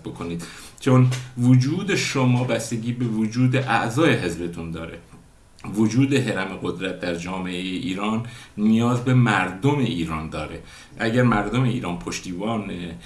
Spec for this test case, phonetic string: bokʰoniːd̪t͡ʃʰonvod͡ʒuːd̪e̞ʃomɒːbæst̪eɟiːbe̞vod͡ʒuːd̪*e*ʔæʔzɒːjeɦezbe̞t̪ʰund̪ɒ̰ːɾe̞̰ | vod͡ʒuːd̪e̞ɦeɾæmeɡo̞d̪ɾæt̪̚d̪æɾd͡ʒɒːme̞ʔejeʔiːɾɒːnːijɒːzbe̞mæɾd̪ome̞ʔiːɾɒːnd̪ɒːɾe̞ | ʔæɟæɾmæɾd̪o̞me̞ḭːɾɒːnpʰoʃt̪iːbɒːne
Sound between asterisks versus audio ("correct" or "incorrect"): correct